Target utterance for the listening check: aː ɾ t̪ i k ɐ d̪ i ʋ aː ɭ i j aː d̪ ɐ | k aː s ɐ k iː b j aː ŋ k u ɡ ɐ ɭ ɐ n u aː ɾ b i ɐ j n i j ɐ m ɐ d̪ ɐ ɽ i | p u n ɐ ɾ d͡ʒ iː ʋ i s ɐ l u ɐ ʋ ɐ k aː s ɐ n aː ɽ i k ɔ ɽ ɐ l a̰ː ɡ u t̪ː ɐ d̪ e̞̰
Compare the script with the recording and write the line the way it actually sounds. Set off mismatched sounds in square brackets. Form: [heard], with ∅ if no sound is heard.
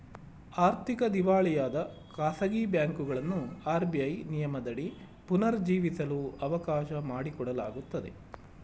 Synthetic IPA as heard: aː ɾ t̪ i k ɐ d̪ i ʋ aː ɭ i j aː d̪ ɐ | k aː s ɐ [ɡ] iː b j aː ŋ k u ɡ ɐ ɭ ɐ [nː] u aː ɾ b i ɐ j n i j ɐ m ɐ d̪ ɐ ɽ i | p u n ɐ ɾ d͡ʒ iː ʋ i s ɐ l u ɐ ʋ ɐ k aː [ʃ] ɐ [m] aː ɽ i k ɔ ɽ ɐ l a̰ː ɡ u t̪ː ɐ d̪ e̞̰